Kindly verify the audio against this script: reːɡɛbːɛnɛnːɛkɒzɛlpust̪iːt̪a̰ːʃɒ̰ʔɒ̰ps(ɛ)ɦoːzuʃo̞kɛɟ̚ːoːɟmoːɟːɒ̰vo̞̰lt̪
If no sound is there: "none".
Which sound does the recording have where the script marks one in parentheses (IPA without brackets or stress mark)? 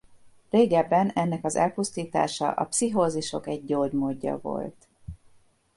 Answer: i